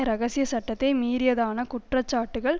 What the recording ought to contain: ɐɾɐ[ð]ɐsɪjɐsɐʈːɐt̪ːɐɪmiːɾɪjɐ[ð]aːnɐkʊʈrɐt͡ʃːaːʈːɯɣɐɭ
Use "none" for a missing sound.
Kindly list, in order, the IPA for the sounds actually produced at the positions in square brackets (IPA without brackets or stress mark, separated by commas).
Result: ɣ, ð